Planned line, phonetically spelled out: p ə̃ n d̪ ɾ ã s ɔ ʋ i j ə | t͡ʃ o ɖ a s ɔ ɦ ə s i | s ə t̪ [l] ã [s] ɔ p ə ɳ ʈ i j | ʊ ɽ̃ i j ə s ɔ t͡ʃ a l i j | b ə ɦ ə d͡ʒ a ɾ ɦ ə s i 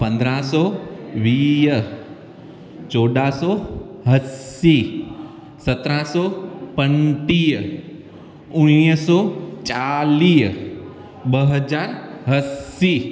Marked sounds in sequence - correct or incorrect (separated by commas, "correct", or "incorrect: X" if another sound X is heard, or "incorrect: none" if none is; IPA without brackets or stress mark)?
incorrect: ɾ, correct